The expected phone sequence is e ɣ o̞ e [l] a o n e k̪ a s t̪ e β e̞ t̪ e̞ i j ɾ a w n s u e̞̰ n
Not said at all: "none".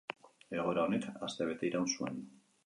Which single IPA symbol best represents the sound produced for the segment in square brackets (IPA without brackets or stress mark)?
ɾ